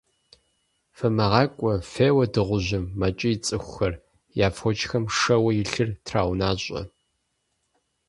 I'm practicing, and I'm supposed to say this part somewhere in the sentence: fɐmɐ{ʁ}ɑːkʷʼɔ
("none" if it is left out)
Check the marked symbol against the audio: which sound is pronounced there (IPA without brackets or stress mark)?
ʁ